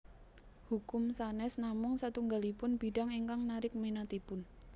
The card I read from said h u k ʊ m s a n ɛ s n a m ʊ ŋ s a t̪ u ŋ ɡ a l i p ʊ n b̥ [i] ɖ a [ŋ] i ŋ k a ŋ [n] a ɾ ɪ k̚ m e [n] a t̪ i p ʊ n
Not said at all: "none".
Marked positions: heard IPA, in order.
i, ŋ, n, n

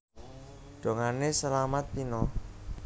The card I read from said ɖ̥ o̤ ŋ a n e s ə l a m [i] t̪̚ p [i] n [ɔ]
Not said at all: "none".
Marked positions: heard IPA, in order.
a, i, ɔ

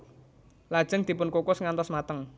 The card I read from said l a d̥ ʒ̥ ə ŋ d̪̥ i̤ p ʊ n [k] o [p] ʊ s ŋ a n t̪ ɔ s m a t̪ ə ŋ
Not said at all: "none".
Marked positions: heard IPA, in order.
k, k

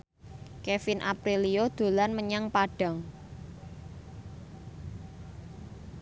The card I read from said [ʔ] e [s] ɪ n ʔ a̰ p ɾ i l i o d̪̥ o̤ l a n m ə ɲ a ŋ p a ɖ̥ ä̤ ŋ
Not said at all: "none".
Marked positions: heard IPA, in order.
k, f

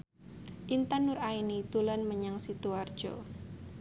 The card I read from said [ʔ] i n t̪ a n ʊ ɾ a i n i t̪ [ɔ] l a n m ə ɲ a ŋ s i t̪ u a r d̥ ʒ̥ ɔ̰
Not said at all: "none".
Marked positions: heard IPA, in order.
ʔ, u

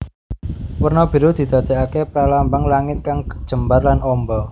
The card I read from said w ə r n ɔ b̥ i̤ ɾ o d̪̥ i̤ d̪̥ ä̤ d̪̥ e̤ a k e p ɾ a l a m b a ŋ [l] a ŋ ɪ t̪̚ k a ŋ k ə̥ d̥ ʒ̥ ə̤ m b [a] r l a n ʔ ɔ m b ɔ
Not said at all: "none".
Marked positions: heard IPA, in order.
l, a

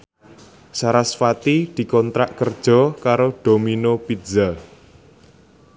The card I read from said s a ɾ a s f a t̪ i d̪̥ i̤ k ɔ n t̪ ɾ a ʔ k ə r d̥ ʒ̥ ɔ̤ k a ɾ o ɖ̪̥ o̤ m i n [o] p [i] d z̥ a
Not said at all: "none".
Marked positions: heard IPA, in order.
o, i

